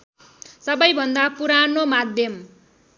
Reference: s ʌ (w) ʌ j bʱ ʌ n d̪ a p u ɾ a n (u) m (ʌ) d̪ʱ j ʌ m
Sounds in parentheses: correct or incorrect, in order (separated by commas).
incorrect, incorrect, incorrect